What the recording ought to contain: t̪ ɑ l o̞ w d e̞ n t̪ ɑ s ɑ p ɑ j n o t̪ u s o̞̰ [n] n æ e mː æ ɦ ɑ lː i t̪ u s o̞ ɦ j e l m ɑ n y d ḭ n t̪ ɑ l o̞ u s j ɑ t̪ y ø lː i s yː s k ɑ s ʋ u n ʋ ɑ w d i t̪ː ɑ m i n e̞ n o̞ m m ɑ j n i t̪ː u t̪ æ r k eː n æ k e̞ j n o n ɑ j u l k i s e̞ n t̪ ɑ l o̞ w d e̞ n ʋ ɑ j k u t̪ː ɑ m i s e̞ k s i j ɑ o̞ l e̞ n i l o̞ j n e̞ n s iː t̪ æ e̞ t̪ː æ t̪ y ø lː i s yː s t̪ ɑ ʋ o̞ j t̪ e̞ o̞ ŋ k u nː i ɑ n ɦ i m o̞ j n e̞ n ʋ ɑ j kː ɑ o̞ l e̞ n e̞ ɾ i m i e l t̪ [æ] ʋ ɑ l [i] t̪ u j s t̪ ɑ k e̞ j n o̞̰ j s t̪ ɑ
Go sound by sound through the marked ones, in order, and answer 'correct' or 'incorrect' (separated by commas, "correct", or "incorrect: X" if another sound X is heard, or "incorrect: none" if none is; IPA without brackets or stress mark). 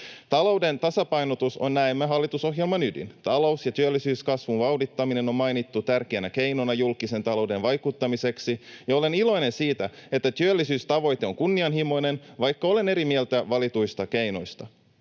correct, correct, correct